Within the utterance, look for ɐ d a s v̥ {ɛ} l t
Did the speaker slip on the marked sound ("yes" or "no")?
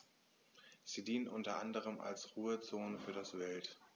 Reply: no